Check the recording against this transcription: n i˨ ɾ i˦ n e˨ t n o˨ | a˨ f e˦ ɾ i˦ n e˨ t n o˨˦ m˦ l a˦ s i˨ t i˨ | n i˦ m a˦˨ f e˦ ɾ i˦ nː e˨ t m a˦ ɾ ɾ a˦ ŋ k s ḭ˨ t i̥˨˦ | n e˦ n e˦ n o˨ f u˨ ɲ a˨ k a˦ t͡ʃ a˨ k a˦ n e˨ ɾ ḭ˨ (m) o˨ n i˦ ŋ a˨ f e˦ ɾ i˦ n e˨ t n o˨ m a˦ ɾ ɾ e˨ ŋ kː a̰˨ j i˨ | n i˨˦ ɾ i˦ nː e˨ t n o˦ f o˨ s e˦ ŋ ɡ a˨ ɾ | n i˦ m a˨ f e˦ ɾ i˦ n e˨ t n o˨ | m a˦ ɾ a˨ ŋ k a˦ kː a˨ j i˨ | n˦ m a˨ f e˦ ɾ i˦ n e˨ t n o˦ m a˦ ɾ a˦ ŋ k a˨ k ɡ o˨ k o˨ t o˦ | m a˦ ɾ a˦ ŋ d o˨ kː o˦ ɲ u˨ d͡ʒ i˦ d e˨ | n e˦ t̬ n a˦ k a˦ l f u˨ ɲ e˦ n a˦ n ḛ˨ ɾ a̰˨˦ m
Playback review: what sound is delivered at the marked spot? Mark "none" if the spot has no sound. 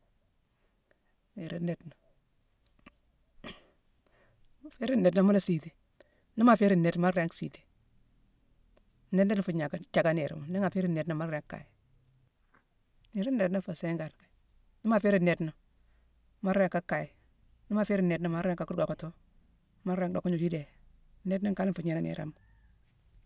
m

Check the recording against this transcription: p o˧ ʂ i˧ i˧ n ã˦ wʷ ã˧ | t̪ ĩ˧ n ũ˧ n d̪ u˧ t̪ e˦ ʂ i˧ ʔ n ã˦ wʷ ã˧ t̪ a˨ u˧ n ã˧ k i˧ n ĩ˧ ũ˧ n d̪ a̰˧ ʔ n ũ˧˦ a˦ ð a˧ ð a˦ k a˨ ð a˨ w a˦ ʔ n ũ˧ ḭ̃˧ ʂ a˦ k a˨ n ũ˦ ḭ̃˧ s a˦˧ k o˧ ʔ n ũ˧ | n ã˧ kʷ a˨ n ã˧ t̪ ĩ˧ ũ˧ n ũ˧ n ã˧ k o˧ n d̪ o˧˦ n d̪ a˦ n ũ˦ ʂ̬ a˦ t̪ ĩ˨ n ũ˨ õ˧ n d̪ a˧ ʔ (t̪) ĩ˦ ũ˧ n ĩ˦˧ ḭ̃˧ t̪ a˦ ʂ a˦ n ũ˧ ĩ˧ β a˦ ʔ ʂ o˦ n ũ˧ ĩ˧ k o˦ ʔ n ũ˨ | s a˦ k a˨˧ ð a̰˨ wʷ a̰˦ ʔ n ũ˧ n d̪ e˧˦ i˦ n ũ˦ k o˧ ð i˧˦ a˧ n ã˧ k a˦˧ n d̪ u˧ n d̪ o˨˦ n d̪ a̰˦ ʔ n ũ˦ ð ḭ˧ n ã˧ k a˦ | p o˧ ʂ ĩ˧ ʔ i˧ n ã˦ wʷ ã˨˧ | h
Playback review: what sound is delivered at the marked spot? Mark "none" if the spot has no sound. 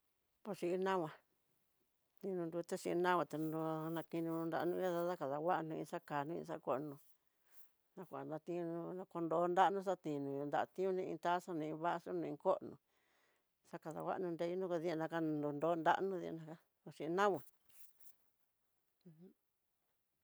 t̪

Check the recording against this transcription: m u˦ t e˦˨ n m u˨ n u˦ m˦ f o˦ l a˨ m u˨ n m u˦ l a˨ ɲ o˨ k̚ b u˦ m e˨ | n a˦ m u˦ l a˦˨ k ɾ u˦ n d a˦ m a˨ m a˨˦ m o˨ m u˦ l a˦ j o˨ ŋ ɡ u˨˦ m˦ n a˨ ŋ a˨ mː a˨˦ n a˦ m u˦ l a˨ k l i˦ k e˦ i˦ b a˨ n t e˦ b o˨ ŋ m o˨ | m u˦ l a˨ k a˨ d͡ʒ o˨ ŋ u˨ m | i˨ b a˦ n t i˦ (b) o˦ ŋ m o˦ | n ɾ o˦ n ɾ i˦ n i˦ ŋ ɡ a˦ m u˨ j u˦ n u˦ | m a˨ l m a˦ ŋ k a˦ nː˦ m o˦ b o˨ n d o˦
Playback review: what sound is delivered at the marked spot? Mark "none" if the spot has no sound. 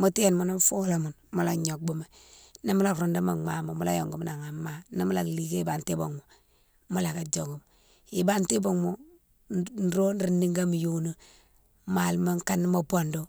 b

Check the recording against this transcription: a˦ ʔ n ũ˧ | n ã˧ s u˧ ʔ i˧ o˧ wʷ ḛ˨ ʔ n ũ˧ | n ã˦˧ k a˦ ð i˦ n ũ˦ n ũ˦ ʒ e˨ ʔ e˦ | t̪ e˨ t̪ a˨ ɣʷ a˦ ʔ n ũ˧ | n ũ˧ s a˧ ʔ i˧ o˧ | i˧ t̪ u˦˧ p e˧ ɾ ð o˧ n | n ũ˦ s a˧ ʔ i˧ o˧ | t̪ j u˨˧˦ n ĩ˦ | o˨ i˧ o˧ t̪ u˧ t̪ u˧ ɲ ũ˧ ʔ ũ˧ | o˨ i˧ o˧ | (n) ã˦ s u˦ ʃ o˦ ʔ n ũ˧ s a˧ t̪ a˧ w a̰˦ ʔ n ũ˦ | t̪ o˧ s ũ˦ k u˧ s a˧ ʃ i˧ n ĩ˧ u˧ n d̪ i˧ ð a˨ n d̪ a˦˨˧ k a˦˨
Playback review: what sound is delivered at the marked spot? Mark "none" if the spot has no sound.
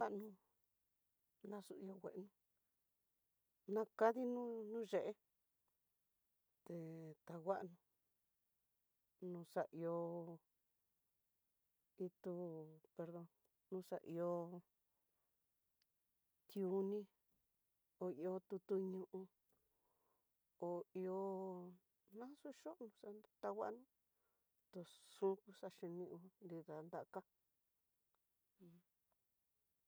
n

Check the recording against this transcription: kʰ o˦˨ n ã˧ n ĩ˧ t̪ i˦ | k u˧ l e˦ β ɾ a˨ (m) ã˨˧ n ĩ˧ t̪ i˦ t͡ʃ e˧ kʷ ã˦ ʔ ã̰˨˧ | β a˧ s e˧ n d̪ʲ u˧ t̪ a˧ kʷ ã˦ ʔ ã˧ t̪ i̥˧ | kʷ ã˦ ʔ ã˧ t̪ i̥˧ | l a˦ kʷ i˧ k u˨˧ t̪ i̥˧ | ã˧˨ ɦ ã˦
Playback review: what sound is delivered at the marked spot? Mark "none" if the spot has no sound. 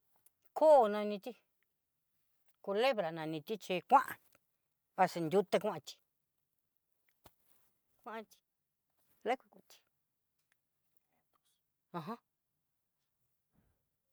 n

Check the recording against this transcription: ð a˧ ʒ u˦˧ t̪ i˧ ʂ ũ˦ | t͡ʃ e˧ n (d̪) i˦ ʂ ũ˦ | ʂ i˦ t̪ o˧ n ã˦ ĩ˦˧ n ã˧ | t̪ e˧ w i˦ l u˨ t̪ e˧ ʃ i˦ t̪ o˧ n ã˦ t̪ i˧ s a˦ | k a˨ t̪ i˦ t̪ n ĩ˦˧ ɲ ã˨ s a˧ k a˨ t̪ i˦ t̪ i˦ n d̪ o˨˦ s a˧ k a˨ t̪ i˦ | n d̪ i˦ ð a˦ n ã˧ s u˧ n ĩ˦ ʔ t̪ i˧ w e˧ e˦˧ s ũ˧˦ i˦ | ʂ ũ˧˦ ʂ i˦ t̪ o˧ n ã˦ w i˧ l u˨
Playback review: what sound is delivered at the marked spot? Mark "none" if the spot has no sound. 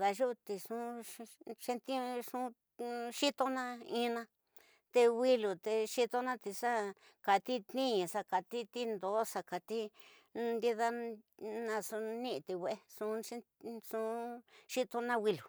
t̪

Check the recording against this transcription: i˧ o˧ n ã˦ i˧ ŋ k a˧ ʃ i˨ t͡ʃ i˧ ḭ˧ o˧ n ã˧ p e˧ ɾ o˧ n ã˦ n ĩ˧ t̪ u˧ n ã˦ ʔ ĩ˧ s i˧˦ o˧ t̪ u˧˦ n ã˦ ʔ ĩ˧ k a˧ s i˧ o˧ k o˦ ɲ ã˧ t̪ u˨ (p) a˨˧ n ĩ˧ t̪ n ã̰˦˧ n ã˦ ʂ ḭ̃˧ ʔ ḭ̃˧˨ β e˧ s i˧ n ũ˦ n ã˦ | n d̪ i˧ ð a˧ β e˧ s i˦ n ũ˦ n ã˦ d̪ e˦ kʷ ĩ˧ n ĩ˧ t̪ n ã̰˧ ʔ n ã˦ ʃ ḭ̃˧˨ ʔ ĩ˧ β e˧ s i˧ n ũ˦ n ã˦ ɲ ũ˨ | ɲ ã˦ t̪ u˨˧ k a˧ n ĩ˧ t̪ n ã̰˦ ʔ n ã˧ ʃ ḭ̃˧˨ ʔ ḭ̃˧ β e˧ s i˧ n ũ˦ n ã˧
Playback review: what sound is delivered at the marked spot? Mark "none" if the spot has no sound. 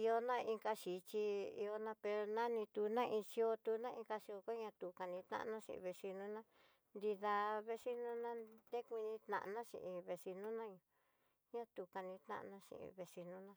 k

